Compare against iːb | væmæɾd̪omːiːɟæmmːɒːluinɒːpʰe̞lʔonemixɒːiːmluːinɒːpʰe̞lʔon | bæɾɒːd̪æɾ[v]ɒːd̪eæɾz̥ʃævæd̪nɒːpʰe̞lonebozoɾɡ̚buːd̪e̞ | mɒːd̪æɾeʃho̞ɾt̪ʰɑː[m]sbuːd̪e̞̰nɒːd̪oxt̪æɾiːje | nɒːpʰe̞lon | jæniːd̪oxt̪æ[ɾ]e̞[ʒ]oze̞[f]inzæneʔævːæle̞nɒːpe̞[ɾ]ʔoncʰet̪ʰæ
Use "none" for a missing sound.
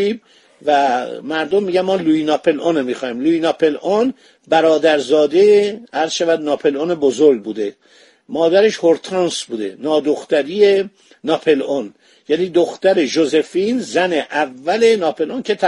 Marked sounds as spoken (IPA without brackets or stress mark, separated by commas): z, n, ɾ, ʒ, f, l